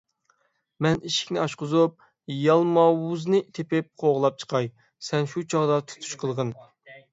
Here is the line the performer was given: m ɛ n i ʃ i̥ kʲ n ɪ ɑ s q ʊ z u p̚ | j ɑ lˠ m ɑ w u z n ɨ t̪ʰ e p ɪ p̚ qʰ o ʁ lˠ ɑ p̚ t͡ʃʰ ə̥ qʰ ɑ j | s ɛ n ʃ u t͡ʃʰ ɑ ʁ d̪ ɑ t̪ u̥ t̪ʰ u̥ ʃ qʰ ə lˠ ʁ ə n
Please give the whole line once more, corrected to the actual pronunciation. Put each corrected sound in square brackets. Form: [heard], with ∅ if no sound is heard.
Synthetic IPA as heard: m ɛ n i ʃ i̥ kʲ n ɪ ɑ [ʃ] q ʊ z u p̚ | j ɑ lˠ m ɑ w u z n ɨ t̪ʰ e p ɪ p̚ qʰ o ʁ lˠ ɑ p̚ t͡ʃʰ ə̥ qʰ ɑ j | s ɛ n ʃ u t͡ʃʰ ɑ ʁ d̪ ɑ [t̪ʰ] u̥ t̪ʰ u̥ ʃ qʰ ə lˠ ʁ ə n